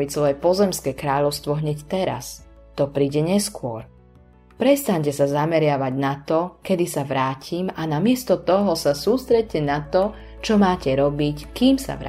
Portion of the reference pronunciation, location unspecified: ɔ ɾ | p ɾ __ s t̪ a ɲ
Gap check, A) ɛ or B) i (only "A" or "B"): A